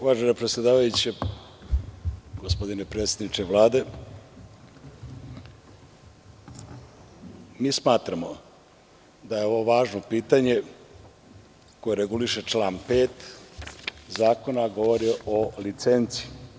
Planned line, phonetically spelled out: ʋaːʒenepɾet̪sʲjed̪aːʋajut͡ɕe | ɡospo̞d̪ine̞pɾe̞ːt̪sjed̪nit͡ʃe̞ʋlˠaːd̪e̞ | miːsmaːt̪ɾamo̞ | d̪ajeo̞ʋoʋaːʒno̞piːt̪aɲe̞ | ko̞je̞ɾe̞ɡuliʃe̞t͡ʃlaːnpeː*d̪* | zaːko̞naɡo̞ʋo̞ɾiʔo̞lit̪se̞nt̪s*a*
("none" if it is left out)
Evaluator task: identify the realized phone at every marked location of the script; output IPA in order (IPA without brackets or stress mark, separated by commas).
t̪, i